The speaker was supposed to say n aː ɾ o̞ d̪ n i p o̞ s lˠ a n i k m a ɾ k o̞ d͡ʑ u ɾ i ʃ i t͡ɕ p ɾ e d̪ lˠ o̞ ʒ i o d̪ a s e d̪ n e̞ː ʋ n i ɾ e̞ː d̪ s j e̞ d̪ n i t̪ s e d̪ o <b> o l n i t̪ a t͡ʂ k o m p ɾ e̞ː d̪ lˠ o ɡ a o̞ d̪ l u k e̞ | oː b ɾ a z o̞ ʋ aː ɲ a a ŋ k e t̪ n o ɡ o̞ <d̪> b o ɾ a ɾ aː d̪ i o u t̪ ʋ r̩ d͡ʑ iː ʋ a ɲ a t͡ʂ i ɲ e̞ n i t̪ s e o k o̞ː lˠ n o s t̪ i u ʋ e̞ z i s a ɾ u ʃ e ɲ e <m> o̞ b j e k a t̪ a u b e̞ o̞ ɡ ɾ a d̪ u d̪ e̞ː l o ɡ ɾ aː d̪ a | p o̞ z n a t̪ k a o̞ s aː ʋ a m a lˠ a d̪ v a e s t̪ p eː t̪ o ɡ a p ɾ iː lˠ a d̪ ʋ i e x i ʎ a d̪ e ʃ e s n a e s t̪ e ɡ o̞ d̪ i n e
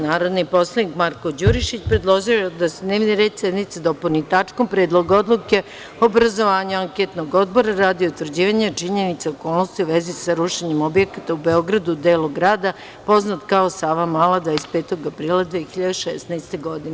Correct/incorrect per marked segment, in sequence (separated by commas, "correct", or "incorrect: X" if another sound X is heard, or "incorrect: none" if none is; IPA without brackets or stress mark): incorrect: p, correct, correct